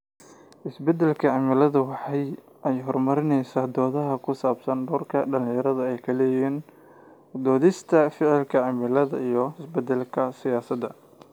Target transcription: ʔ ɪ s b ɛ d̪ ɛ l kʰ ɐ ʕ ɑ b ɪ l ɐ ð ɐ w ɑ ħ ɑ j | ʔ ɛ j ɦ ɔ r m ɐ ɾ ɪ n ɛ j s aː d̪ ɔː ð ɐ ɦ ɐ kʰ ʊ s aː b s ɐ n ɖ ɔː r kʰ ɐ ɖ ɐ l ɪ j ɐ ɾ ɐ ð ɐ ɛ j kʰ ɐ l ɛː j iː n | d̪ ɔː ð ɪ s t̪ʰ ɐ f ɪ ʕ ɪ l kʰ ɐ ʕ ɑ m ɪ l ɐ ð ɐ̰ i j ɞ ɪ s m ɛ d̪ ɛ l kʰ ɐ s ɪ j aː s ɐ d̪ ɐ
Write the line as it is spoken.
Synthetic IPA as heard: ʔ ɪ s b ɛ d̪ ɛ l kʰ ɐ ʕ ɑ m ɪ l ɐ ð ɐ w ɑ ħ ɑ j | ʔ ɛ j ɦ ɔ r m ɐ ɾ ɪ n ɛ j s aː d̪ ɔː ð ɐ ɦ ɐ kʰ ʊ s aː b s ɐ n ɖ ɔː r kʰ ɐ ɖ ɐ l ɪ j ɐ ɾ ɐ ð ɐ ɛ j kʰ ɐ l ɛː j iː n | d̪ ɔː ð ɪ s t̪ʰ ɐ f ɪ ʕ ɪ l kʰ ɐ ʕ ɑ m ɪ l ɐ ð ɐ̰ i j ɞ ɪ s b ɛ d̪ ɛ l kʰ ɐ s ɪ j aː s ɐ d̪ ɐ